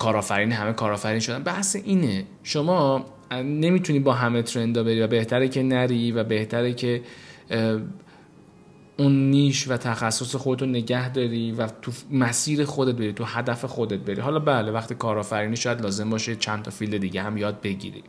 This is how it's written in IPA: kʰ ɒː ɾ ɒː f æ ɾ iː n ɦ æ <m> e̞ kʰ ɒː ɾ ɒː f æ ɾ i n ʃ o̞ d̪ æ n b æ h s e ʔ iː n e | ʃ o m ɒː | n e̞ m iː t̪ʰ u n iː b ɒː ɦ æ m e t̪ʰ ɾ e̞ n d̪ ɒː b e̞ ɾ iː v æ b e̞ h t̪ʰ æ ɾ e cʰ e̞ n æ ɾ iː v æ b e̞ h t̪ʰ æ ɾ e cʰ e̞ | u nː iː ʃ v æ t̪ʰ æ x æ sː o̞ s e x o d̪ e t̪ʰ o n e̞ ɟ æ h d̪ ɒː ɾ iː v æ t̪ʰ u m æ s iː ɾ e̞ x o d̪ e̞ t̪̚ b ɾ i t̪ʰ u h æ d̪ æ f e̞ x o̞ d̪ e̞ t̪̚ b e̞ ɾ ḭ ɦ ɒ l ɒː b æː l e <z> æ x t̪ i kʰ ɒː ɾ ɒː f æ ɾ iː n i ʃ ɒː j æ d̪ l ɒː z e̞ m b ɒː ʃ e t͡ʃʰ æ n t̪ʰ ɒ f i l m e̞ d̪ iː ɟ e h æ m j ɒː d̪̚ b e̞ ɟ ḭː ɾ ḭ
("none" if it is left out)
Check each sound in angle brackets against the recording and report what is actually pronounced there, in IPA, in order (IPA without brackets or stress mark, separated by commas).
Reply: m, v